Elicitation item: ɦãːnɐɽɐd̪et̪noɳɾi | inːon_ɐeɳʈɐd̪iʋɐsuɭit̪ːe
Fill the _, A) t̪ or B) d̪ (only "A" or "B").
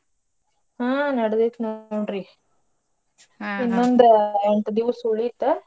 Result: B